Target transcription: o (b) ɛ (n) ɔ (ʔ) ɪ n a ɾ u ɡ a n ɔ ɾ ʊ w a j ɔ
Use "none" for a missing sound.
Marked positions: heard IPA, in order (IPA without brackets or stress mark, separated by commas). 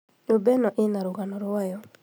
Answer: b, n, ʔ